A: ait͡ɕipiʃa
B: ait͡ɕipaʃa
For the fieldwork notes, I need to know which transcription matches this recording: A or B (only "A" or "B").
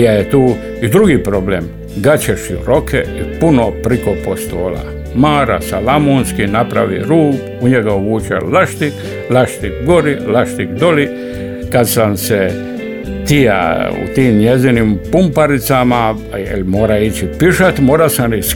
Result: A